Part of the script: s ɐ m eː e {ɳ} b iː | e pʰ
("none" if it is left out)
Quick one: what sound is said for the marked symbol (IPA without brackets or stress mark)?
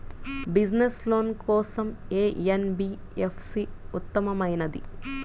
n